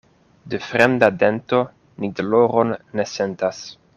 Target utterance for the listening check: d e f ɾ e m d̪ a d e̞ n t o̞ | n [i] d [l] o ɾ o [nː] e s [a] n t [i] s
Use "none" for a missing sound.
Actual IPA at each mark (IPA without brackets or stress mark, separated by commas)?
i, l, nː, e, a